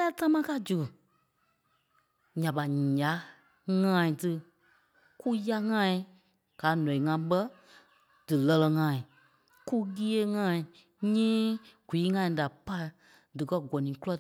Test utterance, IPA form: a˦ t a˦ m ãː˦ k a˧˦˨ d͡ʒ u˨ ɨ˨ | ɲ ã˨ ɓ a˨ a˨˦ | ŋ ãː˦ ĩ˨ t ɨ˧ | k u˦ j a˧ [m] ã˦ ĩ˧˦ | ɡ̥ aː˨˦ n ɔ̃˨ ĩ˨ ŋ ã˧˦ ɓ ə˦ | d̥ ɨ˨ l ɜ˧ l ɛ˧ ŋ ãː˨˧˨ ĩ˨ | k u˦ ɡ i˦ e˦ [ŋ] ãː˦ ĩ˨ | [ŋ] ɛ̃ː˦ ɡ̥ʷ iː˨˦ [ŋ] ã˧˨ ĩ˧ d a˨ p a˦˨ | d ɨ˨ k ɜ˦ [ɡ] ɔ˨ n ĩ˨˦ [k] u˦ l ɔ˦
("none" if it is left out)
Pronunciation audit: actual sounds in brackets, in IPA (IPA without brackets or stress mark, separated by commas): ŋ, ŋ, ɲ, ŋ, ɡ, k